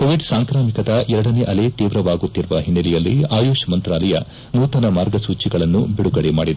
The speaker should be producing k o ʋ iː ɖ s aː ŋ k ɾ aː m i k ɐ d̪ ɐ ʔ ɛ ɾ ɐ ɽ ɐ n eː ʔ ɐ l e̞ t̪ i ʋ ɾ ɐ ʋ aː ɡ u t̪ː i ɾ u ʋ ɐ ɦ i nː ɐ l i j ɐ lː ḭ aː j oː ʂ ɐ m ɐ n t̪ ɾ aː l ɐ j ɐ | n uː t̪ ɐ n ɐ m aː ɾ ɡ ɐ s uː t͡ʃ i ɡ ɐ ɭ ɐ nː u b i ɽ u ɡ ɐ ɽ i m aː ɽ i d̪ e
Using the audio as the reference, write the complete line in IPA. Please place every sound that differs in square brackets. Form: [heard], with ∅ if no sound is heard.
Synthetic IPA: k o ʋ [i] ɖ s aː ŋ k ɾ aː m i k ɐ d̪ ɐ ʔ ɛ ɾ ɐ ɽ ɐ n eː ʔ ɐ l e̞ t̪ [iː] ʋ ɾ ɐ ʋ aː ɡ u t̪ː i ɾ u ʋ ɐ ɦ i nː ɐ l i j ɐ lː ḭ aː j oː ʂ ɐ m ɐ n t̪ ɾ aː l ɐ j ɐ | n uː t̪ ɐ n ɐ m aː ɾ ɡ ɐ s uː t͡ʃ i ɡ ɐ ɭ ɐ nː u b i ɽ u ɡ ɐ ɽ [e] m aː ɽ i d̪ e